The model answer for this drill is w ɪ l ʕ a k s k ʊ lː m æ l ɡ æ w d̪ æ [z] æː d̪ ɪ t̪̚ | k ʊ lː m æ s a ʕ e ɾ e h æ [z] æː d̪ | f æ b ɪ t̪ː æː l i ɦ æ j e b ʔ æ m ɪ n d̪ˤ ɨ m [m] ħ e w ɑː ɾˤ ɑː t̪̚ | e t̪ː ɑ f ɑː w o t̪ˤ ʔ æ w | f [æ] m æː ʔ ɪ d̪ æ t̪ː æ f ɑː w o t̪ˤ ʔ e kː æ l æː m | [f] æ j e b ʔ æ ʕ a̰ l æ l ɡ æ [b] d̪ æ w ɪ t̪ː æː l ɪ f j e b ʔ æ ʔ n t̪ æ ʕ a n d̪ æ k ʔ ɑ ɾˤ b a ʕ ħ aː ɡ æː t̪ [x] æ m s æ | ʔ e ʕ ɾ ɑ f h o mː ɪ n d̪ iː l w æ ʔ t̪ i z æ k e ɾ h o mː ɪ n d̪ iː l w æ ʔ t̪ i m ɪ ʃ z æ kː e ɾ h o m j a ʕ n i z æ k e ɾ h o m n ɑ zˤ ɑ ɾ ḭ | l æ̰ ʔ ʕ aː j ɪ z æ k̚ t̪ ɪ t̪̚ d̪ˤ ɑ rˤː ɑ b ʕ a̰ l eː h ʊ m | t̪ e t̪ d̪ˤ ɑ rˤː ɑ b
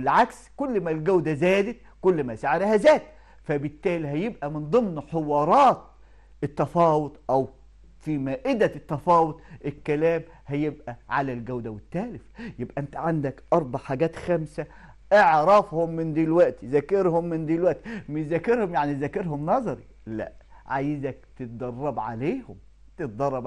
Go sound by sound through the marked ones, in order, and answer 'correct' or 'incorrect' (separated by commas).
correct, correct, incorrect, incorrect, incorrect, incorrect, correct